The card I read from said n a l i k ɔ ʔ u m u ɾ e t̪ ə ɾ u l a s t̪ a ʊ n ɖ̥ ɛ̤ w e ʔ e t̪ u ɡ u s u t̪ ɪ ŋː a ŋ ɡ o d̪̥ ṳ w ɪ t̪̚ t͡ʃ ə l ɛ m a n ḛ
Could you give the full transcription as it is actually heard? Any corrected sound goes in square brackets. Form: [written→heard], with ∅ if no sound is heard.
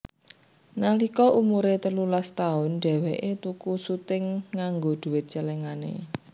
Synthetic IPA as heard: n a l i k ɔ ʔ u m u ɾ e t̪ ə [ɾ→l] u l a s t̪ a ʊ n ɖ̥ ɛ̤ w [e→ɛ] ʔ e t̪ u [ɡ→k] u s u t̪ ɪ ŋː a ŋ ɡ o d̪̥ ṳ w ɪ t̪̚ t͡ʃ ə l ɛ [m→ŋ] a n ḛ